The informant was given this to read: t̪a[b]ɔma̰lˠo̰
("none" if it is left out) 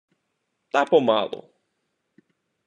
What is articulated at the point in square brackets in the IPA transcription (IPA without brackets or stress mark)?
p